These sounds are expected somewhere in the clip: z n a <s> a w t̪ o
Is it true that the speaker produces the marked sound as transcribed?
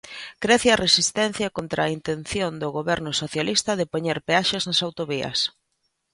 yes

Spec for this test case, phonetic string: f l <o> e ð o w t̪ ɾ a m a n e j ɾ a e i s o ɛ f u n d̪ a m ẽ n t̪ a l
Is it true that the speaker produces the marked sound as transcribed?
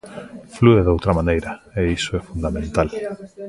no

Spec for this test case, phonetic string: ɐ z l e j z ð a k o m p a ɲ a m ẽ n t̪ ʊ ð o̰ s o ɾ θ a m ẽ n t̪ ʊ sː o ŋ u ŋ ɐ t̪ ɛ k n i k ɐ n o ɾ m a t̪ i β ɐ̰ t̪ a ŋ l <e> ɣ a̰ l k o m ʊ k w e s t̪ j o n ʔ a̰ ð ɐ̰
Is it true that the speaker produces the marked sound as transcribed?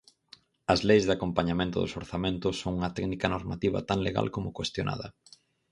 yes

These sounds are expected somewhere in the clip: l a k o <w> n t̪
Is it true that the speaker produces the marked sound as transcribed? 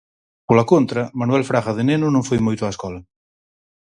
no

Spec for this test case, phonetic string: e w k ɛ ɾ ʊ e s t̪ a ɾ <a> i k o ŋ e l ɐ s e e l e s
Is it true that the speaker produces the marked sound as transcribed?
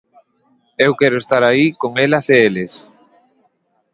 yes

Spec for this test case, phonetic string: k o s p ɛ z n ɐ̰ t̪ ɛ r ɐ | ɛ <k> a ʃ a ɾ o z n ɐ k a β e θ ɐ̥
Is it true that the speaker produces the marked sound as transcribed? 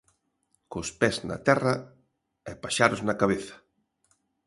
no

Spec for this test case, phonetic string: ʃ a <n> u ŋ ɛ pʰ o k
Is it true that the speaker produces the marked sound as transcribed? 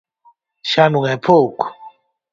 yes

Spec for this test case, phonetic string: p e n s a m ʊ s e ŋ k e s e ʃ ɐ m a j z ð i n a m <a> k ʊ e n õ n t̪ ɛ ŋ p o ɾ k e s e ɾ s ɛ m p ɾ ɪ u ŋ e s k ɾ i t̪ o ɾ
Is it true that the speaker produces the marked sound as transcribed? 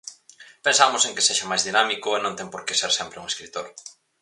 no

